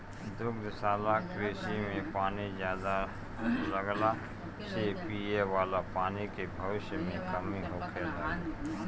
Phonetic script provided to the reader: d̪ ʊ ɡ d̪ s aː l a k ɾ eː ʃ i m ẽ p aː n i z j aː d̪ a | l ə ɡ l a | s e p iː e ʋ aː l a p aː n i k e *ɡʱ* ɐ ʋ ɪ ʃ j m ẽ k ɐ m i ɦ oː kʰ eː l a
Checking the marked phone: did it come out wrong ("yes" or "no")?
yes